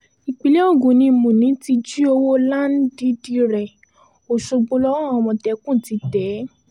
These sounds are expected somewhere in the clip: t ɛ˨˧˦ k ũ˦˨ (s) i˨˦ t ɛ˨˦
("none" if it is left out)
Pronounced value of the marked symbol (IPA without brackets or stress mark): t